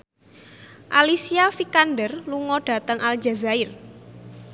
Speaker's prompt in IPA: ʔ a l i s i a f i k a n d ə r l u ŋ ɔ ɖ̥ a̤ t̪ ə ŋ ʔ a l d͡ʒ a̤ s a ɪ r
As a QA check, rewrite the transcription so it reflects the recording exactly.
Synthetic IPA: ʔ a l i s i a f i k a n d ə r l u ŋ ɔ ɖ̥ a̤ t̪ ə ŋ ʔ a l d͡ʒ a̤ z a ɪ r